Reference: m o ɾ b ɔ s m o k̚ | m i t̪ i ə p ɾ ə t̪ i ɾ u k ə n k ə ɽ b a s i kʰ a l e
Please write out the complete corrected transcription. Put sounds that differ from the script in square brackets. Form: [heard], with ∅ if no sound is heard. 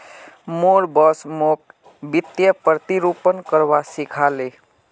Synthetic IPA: m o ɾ b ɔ s m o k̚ | [b] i t̪ [j] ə p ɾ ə t̪ i ɾ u [p] ə n k ə [ɾ] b a s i kʰ a l e